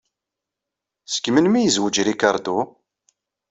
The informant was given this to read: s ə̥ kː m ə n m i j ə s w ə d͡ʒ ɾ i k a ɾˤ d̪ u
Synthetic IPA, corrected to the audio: s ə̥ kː m ə n m i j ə z w ə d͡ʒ ɾ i k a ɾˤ d̪ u